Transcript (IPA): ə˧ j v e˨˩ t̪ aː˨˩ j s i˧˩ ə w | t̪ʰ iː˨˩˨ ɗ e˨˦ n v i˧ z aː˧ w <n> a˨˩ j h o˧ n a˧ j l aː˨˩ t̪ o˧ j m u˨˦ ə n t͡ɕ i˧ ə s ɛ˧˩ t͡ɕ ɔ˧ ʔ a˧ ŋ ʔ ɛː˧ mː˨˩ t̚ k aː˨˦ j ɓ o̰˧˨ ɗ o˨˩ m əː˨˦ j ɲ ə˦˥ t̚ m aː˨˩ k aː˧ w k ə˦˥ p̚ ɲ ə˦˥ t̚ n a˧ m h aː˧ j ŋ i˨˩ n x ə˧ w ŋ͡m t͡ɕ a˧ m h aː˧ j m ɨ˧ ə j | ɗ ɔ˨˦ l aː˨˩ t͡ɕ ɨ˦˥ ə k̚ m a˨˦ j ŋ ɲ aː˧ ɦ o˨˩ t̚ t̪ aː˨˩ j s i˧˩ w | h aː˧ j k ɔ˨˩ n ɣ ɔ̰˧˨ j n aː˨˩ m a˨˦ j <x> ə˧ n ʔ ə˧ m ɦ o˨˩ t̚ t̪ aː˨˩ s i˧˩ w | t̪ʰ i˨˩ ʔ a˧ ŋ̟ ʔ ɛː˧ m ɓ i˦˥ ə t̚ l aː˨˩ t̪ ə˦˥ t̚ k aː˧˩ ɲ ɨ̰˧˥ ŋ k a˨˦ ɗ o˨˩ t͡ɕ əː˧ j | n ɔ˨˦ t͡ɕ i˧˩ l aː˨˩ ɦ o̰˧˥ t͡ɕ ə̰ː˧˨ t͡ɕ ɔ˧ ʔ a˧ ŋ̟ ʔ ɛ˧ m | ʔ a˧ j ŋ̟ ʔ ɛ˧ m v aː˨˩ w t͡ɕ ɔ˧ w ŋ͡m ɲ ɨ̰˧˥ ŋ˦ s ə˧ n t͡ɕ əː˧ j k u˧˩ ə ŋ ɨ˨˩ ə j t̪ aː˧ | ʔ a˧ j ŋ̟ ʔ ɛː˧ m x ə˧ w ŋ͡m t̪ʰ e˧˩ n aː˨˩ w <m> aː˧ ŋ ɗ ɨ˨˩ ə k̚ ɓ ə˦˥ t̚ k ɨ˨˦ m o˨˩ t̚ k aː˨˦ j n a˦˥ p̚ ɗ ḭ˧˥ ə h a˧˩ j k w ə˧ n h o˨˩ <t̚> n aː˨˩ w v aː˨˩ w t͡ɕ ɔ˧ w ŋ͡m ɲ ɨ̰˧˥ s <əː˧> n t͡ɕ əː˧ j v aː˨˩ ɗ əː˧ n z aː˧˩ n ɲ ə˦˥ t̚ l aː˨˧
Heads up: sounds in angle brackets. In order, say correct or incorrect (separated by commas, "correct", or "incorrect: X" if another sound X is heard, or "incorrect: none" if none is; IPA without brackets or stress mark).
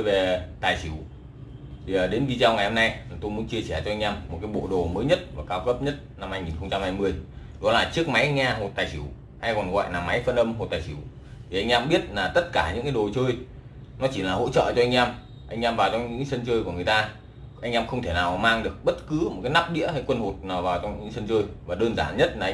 incorrect: ŋ, incorrect: f, correct, correct, incorrect: ə˧